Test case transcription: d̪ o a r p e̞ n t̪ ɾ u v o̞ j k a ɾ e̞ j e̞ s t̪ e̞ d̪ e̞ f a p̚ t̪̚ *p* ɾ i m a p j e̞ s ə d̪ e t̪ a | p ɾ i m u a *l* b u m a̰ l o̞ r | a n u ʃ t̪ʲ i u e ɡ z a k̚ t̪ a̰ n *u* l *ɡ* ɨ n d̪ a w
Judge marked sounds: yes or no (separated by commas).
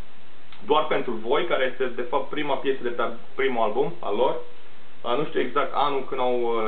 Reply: yes, yes, yes, no